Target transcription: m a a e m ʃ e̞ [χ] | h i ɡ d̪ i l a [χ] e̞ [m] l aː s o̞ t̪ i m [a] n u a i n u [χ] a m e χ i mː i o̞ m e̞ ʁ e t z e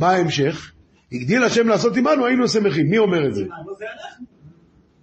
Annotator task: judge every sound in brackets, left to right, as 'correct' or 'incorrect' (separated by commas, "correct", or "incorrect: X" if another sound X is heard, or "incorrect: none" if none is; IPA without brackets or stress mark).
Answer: correct, incorrect: ʃ, correct, correct, incorrect: s